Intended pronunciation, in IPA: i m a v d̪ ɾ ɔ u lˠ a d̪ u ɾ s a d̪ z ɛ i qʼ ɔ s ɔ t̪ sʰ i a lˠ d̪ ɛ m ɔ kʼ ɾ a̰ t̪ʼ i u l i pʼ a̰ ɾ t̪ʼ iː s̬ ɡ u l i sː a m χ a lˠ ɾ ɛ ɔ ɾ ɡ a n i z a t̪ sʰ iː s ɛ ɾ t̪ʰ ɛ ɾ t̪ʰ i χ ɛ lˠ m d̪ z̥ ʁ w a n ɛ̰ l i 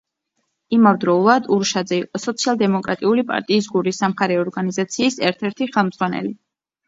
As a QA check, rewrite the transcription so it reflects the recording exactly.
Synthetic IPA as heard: i m a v d̪ ɾ ɔ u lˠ a d̪ u ɾ ʃ a d̪ z ɛ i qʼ ɔ s ɔ t̪ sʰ i a lˠ d̪ ɛ m ɔ kʼ ɾ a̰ t̪ʼ i u l i pʼ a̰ ɾ t̪ʼ iː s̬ ɡ u ɾ i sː a m χ a ɾ ɛ ɔ ɾ ɡ a n i z a t̪ sʰ iː s ɛ ɾ t̪ʰ ɛ ɾ t̪ʰ i χ ɛ lˠ m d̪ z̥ ʁ w a n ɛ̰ l i